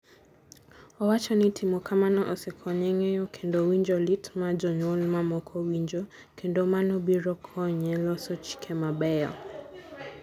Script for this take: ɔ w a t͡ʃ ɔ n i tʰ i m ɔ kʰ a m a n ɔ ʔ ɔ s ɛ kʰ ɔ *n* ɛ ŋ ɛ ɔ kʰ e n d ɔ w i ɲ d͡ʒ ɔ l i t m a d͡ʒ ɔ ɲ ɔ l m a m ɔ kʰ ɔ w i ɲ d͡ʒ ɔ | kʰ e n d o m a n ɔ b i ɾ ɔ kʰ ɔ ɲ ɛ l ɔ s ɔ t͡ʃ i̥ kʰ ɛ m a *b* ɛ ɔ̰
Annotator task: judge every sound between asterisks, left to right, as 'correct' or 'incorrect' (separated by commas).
incorrect, correct